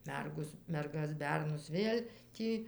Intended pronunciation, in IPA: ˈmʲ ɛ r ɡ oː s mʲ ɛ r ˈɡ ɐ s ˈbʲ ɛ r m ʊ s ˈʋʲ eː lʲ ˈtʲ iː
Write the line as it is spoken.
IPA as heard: ˈmʲ ɛ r ɡ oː s mʲ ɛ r ˈɡ ɐ s ˈbʲ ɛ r n ʊ s ˈʋʲ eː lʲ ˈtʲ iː

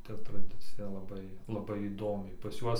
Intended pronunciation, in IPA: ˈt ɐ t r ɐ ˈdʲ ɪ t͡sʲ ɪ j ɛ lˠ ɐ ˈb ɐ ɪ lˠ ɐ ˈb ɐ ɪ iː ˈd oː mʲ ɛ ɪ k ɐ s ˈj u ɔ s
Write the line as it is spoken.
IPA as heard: ˈt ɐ t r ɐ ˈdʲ ɪ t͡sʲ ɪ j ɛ lˠ ɐ ˈb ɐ ɪ lˠ ɐ ˈb ɐ ɪ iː ˈd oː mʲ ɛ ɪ p ɐ s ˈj u ɔ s

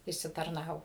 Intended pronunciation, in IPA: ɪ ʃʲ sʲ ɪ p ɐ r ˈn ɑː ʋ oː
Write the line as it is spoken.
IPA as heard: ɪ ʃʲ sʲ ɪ t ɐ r ˈn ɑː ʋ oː

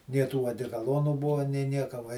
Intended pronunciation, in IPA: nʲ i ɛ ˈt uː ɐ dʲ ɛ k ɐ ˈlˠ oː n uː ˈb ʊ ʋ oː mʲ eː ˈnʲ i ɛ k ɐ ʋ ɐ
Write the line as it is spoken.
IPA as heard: nʲ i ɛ ˈt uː ɐ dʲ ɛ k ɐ ˈlˠ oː n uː ˈb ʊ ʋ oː nʲ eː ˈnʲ i ɛ k ɐ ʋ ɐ

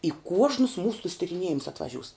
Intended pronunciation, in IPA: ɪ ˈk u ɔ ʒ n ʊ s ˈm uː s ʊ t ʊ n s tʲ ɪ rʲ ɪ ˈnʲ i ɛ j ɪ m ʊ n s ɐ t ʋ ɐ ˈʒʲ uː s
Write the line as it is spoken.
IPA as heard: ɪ ˈk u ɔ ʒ n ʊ s ˈm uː s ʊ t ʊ s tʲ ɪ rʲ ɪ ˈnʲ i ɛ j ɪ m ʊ s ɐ t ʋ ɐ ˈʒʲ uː s

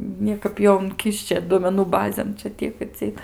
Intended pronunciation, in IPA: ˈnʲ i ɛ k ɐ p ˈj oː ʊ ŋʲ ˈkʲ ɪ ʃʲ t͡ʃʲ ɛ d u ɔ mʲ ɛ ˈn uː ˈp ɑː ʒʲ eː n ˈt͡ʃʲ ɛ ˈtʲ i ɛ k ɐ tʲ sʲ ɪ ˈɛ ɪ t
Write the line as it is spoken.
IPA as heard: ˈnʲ i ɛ k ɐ p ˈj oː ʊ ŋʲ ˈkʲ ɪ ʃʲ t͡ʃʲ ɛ d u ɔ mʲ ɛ ˈn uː ˈb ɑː zʲ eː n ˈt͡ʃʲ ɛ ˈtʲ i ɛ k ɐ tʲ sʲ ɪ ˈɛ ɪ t

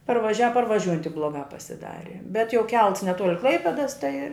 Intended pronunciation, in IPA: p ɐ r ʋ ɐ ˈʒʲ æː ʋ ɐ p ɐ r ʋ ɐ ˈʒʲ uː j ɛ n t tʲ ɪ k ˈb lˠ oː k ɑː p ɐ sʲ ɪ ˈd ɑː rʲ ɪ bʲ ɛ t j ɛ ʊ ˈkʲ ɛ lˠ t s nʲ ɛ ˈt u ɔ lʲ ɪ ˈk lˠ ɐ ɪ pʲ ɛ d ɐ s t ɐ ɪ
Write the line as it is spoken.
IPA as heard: p ɐ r ʋ ɐ ˈʒʲ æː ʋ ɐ p ɐ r ʋ ɐ ˈʒʲ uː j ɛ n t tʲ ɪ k ˈb lˠ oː ɡ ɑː p ɐ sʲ ɪ ˈd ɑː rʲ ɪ bʲ ɛ t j ɛ ʊ ˈkʲ ɛ lˠ t s nʲ ɛ ˈt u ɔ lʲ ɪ ˈk lˠ ɐ ɪ pʲ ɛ d ɐ s t ɐ ɪ

